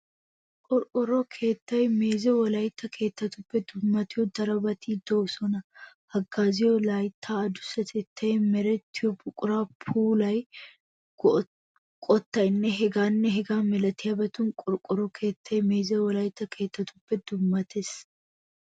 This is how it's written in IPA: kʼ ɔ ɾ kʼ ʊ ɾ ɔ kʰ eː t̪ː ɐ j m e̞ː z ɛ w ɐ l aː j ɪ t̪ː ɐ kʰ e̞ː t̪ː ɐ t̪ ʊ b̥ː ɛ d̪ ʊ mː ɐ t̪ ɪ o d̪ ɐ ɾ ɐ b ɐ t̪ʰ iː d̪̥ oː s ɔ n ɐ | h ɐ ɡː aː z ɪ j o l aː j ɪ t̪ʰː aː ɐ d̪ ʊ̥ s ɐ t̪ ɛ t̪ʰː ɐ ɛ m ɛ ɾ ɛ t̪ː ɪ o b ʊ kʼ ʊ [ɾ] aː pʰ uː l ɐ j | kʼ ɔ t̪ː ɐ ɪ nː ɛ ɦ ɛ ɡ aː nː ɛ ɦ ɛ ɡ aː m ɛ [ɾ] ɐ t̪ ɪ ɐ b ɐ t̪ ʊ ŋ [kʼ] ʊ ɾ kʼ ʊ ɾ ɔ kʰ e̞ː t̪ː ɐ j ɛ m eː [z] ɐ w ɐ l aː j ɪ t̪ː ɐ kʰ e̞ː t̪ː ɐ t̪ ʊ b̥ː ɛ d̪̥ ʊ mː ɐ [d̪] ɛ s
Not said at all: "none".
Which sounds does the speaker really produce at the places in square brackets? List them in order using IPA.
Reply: ɾ, l, kʼ, z, t̪

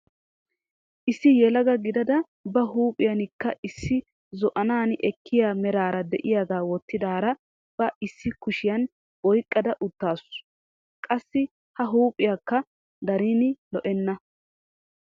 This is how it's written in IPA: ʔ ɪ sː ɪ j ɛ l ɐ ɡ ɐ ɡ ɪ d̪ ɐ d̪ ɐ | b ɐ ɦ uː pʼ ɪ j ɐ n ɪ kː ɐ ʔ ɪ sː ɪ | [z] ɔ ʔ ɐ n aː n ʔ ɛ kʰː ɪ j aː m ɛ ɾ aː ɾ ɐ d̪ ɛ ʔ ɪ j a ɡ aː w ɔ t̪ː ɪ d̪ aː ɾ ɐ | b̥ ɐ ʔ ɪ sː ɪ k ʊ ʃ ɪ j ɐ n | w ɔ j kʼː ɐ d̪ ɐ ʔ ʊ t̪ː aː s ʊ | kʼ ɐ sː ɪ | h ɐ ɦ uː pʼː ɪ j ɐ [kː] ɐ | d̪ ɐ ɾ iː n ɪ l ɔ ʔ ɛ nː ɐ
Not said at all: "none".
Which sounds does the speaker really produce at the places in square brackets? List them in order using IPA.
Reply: z, kː

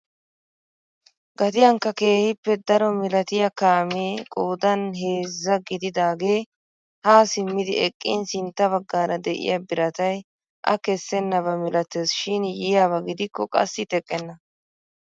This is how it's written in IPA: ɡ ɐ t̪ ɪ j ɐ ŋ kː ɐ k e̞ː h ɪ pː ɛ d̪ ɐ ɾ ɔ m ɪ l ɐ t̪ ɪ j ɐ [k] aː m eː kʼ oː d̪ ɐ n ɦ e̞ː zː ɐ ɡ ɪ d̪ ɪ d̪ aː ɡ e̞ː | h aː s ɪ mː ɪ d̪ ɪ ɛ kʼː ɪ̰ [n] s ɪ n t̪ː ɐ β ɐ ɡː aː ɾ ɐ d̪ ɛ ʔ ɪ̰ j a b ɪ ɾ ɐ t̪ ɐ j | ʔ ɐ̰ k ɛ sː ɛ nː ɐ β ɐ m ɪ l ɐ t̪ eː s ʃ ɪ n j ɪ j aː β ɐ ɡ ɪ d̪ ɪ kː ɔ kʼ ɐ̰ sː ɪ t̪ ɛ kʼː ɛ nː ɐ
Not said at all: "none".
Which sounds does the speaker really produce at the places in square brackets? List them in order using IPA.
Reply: k, n

